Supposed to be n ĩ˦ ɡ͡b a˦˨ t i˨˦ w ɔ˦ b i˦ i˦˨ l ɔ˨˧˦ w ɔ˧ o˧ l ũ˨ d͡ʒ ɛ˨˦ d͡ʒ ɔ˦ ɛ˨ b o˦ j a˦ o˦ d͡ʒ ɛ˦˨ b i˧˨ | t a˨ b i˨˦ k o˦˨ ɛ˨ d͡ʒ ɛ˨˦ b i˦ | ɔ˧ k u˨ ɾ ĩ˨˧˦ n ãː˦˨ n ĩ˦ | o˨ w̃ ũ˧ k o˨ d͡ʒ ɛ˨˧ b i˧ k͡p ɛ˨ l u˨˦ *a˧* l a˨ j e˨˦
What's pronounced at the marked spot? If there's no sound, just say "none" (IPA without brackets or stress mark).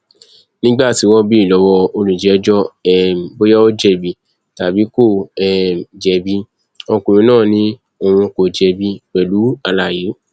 a˧